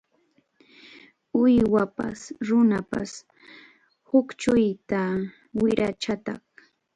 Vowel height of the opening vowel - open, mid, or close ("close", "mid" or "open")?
close